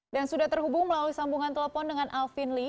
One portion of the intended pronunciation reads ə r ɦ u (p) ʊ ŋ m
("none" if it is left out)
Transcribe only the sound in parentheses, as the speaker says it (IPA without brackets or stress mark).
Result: b